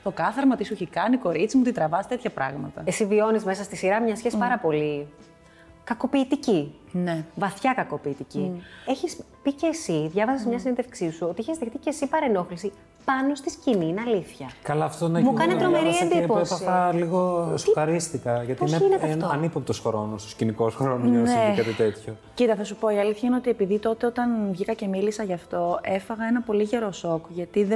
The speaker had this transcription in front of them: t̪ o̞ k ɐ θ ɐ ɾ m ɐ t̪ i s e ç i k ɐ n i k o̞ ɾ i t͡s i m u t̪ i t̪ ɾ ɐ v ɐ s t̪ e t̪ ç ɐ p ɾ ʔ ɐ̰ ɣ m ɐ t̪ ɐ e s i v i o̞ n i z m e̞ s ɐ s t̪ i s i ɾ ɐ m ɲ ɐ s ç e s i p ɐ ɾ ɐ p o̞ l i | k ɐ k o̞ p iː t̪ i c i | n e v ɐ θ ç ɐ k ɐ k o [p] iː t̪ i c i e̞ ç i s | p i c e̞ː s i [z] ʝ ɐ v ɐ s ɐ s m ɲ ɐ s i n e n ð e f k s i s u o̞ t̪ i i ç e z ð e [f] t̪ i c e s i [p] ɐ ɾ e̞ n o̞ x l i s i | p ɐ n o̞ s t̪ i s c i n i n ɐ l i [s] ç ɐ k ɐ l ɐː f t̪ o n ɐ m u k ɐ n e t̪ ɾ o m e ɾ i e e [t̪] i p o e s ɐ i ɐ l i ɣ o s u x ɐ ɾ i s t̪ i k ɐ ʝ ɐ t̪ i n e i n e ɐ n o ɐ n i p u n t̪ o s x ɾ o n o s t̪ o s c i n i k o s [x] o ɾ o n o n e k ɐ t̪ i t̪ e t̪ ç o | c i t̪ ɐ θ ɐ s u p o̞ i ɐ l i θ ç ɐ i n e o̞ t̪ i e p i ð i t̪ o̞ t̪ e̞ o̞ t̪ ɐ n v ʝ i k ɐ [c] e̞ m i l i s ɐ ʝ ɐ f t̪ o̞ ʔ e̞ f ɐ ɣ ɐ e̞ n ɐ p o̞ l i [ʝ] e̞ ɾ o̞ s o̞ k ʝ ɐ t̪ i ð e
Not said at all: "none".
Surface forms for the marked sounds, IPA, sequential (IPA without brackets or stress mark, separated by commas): p, ð, x, p, θ, d̪, x, c, ʝ